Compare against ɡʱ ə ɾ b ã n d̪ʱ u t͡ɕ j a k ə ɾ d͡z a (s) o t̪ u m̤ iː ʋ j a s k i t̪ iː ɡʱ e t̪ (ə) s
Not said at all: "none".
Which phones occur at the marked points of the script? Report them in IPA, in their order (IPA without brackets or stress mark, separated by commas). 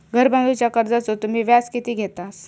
t͡s, a